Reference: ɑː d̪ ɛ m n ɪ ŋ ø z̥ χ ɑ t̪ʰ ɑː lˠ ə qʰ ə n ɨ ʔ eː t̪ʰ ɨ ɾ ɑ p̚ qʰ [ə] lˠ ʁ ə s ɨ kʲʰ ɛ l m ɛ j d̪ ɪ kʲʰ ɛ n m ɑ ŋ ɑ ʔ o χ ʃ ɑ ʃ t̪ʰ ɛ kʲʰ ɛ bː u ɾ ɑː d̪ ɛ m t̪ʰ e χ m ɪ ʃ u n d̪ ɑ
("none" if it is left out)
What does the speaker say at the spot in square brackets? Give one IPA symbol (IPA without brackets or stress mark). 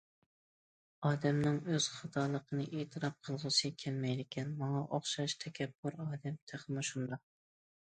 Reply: ə